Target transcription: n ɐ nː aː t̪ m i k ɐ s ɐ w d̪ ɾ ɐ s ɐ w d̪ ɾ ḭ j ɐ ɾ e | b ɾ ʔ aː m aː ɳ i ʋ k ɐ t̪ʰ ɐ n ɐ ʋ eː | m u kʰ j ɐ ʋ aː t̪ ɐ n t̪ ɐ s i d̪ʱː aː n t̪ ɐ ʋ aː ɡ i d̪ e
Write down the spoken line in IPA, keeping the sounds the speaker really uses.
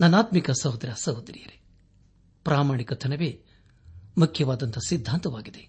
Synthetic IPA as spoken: n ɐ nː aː t̪ m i k ɐ s ɐ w d̪ ɾ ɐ s ɐ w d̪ ɾ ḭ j ɐ ɾ e | p ɾ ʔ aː m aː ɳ i k ɐ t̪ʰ ɐ n ɐ ʋ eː | m u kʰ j ɐ ʋ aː d̪ ɐ n t̪ ɐ s i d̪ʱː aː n t̪ ɐ ʋ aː ɡ i d̪ e